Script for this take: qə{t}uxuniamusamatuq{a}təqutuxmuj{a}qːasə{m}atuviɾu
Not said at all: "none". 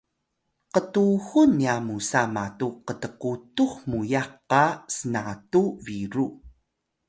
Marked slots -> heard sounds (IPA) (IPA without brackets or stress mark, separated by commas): t, ə, a, n